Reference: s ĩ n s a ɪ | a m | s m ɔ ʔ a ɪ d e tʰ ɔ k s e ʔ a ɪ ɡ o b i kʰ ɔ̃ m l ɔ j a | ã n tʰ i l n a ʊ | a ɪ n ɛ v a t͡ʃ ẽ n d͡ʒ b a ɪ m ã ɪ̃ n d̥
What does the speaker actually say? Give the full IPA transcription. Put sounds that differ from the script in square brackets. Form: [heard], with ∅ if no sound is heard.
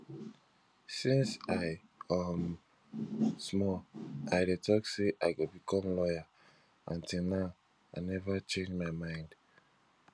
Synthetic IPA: s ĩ n s a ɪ | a m | s m ɔ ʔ a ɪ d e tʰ ɔ k s e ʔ a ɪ ɡ o b i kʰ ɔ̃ m l ɔ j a | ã n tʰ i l n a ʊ | a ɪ n ɛ v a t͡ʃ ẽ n d͡ʒ [m] a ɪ m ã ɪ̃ n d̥